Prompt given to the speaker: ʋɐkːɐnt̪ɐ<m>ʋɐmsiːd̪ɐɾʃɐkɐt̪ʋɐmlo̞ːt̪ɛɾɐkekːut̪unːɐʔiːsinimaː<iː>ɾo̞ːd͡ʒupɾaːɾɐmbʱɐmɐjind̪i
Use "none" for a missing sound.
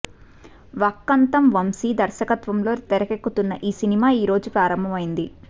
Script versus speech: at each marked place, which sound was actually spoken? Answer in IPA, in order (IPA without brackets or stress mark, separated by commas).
m, iː